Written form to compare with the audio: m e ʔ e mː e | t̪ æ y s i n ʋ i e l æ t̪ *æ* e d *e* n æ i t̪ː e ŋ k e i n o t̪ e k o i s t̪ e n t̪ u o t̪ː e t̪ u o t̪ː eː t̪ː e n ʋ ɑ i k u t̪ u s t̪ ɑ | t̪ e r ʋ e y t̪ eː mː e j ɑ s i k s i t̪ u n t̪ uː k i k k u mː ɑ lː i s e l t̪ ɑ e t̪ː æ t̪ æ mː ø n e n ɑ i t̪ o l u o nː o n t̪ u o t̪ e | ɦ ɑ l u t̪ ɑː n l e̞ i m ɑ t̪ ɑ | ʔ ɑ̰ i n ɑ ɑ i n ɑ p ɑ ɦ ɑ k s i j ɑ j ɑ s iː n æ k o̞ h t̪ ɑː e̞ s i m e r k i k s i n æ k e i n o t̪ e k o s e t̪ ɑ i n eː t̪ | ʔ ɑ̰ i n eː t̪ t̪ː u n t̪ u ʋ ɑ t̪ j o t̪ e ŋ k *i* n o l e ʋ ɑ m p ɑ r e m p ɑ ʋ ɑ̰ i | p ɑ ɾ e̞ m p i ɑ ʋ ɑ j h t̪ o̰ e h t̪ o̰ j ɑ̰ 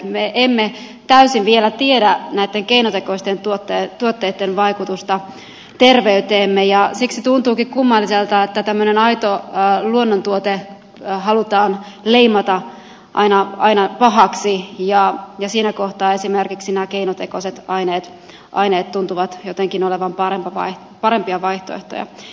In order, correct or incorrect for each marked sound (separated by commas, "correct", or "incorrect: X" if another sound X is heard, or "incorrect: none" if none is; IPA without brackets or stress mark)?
incorrect: i, incorrect: æ, correct